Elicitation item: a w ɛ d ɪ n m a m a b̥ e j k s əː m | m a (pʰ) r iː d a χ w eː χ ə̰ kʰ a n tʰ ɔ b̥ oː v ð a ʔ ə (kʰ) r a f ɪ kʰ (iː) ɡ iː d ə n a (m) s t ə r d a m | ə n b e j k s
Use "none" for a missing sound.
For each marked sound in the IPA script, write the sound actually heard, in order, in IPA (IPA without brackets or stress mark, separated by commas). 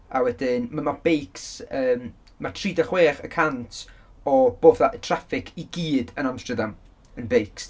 tʰ, tʰ, i, m